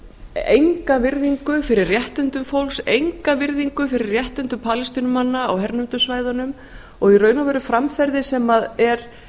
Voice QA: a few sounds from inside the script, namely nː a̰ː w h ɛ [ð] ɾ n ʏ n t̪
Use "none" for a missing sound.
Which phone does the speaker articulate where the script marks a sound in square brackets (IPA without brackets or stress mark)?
none